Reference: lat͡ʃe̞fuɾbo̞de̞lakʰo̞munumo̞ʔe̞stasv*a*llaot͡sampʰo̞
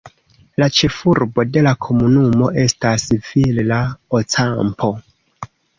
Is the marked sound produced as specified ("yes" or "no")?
no